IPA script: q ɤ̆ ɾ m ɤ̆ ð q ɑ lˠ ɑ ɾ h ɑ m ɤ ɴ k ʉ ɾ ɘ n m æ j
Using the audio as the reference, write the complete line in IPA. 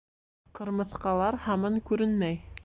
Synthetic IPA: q ɤ̆ ɾ m ɤ̆ θ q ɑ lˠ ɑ ɾ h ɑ m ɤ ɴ k ʉ ɾ ɘ n m æ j